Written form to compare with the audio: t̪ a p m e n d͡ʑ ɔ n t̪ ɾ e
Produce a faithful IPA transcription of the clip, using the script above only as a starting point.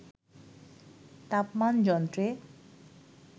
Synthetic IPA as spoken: t̪ a p m a n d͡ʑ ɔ n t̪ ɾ e